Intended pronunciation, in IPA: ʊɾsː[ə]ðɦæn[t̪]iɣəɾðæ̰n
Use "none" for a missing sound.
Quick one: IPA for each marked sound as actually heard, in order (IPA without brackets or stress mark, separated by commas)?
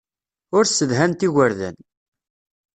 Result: ə, t̪